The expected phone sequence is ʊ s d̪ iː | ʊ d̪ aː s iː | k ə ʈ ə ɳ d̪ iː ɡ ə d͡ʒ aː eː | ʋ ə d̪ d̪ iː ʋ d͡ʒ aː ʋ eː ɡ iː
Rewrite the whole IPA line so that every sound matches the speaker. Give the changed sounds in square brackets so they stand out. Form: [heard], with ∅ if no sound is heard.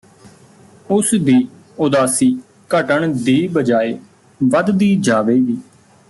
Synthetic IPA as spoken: ʊ s d̪ iː | ʊ d̪ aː s iː | k ə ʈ ə ɳ d̪ iː [b] ə d͡ʒ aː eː | ʋ ə d̪ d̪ iː [∅] d͡ʒ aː ʋ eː ɡ iː